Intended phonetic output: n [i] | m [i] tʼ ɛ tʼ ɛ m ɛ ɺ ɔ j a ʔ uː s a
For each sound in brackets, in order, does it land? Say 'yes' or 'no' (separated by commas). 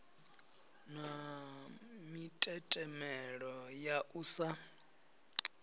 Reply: no, yes